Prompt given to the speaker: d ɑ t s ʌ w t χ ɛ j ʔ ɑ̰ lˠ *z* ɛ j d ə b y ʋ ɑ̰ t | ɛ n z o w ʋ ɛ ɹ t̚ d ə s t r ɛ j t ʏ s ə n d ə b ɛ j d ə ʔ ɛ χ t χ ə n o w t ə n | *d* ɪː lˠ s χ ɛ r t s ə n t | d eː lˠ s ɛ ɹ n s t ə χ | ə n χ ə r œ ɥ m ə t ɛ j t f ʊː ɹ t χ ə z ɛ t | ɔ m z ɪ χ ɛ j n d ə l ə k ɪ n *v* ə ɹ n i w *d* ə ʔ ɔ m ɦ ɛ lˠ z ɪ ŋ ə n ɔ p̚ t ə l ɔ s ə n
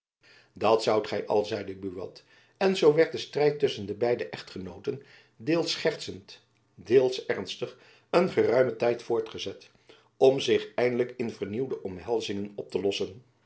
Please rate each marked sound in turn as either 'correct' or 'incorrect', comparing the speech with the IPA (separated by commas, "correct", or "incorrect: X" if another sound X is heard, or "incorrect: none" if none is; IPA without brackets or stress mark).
correct, correct, correct, correct